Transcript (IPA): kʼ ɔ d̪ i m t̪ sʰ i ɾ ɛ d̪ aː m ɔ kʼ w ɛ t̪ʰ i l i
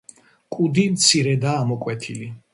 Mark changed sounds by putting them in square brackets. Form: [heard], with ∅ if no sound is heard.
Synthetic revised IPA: kʼ [u] d̪ i m t̪ sʰ i ɾ ɛ d̪ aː m ɔ kʼ w ɛ t̪ʰ i l i